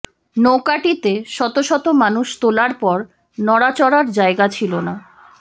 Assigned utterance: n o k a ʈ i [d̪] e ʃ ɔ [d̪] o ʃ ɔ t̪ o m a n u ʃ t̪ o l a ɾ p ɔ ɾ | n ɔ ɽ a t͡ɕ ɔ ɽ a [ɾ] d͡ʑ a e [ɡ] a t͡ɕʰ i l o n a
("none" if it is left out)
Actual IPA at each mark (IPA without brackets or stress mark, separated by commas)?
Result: t̪, t̪, ɾ, ɡ